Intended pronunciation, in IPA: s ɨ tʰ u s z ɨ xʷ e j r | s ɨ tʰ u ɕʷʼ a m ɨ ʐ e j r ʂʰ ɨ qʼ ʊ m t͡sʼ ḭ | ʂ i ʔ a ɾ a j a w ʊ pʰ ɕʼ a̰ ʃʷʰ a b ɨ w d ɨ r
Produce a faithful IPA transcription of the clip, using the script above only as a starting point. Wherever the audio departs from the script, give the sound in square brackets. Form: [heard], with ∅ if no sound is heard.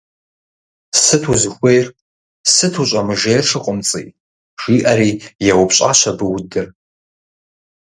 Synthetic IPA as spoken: s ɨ tʰ u [∅] z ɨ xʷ e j r | s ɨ tʰ u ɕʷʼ a m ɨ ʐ e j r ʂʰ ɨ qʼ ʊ m t͡sʼ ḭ | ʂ i ʔ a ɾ [i] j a w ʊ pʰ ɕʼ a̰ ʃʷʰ a b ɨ w d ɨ r